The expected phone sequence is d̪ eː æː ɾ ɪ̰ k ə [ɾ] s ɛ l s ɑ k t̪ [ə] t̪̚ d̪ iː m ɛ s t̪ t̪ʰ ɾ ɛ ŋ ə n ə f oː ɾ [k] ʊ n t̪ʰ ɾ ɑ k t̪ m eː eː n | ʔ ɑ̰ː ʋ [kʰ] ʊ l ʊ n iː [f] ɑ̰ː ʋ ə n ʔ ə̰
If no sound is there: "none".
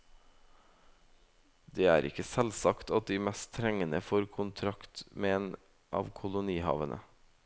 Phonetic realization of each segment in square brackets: none, ɑ, kʰ, kʰ, h

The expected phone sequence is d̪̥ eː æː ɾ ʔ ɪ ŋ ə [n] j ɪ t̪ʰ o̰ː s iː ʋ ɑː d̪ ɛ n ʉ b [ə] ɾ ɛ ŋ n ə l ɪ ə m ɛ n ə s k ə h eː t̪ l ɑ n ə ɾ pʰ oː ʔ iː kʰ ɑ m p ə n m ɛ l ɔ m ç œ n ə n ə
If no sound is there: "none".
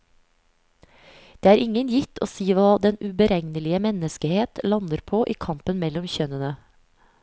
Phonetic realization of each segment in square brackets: n, ə

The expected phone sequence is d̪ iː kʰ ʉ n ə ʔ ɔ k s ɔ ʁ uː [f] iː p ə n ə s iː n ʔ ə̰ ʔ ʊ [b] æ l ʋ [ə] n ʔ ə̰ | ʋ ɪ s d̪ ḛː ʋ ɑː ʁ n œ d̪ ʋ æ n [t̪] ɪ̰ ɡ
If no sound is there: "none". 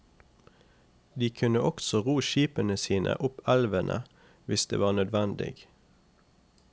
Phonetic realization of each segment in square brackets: ʃ, p, ə, d̪

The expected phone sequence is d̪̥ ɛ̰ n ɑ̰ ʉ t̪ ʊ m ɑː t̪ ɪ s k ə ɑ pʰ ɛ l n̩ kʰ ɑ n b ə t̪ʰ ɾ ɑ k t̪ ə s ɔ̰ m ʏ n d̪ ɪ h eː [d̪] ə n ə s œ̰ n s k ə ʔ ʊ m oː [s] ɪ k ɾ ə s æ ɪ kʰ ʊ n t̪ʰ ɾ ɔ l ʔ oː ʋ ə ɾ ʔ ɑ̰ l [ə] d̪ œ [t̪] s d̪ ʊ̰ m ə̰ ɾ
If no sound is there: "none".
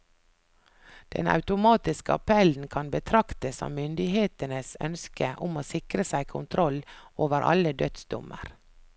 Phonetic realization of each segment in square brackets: t̪, s, ə, t̪

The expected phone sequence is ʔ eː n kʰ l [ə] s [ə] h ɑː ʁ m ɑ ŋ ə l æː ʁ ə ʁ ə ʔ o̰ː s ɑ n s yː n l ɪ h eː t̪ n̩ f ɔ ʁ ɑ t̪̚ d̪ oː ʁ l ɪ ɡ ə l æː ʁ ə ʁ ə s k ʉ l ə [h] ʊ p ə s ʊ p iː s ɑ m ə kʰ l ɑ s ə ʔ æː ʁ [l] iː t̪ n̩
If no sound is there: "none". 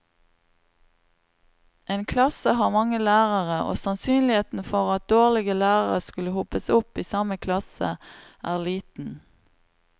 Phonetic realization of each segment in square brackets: ɑ, ə, h, l

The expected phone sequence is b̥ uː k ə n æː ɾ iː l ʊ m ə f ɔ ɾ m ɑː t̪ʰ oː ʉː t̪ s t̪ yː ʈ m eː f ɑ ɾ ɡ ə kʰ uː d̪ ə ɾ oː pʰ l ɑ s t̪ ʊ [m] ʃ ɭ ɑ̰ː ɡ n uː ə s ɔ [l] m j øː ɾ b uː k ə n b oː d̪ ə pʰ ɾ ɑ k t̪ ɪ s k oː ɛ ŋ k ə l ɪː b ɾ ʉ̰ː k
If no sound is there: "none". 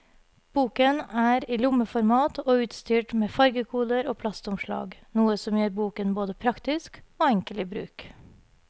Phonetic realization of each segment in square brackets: m, none

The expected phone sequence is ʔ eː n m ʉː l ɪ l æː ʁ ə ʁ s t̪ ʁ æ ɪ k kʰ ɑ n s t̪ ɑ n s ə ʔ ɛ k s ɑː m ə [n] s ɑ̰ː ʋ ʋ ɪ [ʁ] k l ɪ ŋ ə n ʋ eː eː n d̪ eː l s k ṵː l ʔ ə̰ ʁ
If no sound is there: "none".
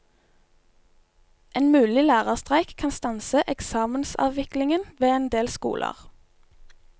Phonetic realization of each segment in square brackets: n, none

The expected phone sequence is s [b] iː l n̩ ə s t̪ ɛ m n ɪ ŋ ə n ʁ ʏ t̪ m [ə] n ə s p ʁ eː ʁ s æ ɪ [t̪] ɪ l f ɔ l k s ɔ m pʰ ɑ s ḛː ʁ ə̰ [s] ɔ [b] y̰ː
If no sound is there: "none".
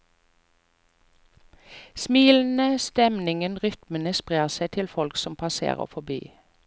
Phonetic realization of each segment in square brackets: m, ə, t̪ʰ, f, b

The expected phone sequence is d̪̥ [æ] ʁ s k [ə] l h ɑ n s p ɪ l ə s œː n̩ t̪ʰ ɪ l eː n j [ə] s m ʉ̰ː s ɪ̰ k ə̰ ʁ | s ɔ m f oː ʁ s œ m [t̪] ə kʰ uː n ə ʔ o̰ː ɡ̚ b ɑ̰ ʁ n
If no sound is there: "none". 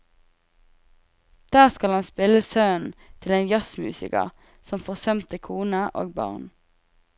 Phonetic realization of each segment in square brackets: æː, ɑ, ɑ, t̪

